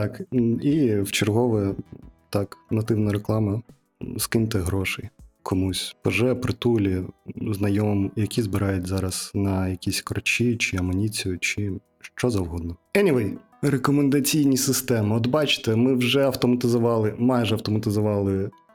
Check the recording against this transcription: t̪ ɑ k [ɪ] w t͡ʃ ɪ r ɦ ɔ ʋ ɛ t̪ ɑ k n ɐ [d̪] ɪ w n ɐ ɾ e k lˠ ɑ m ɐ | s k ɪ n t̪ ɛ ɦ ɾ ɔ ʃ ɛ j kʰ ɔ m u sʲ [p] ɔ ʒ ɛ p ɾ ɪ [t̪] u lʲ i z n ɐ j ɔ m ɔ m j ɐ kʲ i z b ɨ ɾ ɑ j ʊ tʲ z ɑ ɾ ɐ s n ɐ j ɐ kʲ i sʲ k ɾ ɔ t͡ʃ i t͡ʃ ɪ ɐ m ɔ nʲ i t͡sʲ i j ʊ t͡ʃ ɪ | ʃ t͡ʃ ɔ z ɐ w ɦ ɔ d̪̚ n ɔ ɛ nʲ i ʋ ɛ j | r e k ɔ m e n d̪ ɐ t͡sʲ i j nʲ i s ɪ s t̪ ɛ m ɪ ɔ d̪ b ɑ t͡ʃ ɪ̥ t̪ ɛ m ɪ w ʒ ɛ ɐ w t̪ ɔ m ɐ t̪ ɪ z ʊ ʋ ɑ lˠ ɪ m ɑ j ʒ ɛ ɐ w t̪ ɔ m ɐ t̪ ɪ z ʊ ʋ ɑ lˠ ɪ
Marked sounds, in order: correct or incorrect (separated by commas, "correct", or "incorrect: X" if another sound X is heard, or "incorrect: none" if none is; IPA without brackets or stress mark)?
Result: incorrect: i, incorrect: t̪, correct, correct